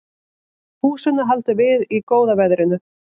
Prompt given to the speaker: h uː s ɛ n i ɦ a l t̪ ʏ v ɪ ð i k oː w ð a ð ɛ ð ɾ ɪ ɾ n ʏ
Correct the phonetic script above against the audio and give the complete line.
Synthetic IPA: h uː s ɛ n a ɦ a l t̪ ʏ v ɪ ð i k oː w ð a v ɛ ð ɾ ɪ n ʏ